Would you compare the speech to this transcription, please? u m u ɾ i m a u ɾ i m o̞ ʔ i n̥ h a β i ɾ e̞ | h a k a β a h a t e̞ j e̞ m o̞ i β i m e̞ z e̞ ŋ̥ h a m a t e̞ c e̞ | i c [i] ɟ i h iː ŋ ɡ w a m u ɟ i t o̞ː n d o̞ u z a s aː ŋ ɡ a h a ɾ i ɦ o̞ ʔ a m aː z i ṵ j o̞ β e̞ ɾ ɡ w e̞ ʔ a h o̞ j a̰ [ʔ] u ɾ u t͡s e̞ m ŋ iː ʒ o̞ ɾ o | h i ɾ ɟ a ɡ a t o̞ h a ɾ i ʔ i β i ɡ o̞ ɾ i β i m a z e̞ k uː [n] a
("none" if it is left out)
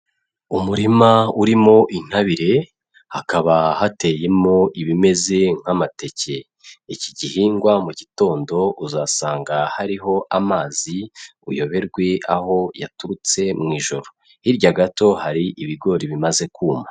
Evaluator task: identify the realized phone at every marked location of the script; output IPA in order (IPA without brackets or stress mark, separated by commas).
i, t, m